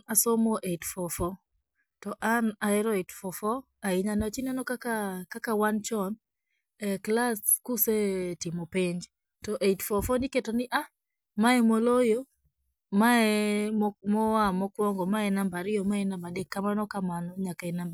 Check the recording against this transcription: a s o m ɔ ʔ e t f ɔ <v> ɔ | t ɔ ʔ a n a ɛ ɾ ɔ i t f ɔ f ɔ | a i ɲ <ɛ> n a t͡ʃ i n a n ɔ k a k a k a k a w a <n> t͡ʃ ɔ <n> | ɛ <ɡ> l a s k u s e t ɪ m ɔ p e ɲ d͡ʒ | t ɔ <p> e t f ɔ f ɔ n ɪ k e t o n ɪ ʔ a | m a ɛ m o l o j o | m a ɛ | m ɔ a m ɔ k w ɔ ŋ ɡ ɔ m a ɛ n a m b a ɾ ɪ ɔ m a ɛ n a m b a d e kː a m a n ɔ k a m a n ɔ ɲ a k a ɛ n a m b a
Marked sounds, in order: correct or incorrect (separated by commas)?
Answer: incorrect, incorrect, correct, correct, incorrect, incorrect